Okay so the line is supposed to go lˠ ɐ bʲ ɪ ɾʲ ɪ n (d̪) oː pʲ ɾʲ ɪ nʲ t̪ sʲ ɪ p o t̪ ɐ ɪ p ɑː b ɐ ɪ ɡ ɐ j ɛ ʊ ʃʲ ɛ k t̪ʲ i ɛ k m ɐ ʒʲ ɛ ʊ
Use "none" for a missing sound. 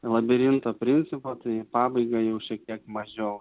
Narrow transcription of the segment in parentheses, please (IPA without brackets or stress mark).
t̪